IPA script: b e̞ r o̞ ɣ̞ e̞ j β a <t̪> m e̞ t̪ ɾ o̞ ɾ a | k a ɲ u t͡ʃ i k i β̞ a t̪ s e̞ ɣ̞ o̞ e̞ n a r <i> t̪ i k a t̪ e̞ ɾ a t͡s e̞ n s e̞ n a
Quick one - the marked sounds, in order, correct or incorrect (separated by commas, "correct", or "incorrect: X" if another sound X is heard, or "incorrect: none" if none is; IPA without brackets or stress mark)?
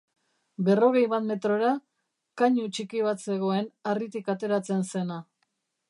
correct, correct